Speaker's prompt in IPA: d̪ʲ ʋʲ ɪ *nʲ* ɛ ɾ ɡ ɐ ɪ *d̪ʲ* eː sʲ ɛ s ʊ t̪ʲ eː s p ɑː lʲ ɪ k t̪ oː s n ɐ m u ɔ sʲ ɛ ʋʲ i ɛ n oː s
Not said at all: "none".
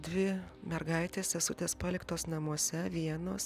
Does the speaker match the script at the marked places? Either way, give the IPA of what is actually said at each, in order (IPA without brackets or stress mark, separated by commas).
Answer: mʲ, t̪ʲ